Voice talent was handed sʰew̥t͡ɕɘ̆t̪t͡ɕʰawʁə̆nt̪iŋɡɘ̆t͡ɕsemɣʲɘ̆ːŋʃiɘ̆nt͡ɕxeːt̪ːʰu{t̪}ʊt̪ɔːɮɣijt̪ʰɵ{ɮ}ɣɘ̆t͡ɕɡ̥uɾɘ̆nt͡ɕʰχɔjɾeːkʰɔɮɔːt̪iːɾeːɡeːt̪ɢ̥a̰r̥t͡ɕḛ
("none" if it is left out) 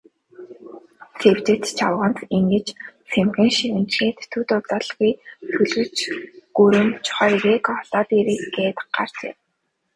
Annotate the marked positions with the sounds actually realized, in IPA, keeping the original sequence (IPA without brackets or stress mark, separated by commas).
t̪, ɮ